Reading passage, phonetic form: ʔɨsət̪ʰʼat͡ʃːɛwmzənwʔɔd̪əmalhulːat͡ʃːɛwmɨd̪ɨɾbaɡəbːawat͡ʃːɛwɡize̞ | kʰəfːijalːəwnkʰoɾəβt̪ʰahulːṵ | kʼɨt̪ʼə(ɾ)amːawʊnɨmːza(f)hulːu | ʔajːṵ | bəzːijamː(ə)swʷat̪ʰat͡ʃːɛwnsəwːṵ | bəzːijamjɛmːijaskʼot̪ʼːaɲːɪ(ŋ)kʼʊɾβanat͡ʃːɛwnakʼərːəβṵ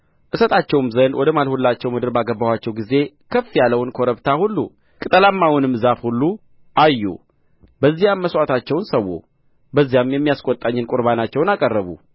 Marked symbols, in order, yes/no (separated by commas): no, yes, yes, no